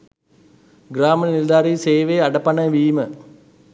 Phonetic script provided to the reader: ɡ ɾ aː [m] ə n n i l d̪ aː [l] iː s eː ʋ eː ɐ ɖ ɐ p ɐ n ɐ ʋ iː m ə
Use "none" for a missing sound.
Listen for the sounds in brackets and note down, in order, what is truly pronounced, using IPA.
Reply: m, ɾ

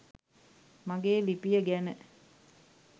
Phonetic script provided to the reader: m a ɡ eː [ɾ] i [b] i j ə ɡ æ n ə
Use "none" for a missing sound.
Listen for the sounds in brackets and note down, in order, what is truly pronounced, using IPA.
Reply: l, p

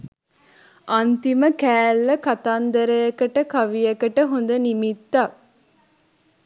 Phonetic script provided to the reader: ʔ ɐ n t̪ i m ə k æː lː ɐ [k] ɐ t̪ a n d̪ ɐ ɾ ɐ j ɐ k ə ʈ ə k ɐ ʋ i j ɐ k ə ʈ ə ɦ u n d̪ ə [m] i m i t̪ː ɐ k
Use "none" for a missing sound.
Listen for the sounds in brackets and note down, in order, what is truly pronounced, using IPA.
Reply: k, n

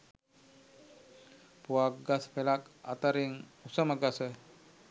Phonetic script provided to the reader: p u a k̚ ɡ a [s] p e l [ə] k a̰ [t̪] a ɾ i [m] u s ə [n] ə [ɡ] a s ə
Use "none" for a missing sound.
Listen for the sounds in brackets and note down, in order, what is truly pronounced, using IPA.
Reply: s, a, t̪, ŋ, m, ɡ

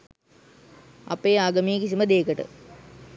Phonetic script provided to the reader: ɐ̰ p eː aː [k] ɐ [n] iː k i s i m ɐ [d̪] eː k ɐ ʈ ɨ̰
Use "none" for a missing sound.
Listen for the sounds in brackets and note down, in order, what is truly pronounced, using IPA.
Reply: ɡ, m, d̪

